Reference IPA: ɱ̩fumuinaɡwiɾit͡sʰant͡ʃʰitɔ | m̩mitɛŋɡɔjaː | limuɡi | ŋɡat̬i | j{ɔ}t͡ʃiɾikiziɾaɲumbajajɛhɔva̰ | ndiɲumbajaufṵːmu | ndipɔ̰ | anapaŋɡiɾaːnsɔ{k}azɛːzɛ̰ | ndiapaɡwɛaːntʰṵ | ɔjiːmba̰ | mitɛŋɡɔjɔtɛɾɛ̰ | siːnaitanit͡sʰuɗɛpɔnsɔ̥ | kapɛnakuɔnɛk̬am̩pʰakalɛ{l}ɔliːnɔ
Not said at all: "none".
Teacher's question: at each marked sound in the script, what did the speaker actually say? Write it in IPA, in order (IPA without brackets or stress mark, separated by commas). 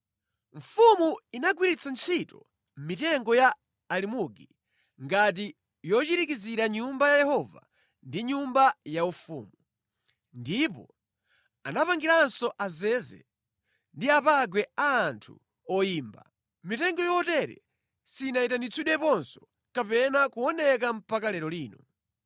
ɔ, ʔ, ɾ